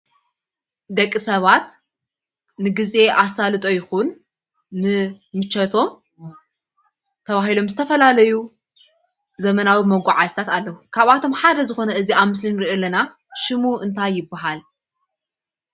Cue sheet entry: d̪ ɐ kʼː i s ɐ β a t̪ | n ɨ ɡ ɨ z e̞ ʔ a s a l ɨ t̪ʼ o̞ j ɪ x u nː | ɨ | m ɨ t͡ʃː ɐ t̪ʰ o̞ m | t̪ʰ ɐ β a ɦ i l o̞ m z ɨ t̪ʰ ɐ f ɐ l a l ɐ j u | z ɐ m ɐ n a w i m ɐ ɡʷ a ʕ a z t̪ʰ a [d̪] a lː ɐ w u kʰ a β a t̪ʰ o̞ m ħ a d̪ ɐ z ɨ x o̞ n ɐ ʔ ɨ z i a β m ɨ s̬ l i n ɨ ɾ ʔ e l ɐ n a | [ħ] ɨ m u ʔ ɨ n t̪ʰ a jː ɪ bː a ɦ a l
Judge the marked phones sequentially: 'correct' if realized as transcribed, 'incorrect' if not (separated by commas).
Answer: incorrect, incorrect